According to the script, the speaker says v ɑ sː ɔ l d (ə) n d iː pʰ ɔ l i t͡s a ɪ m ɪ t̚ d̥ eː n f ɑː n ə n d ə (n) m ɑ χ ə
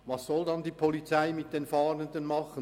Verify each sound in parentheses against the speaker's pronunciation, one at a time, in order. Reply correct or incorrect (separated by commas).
incorrect, correct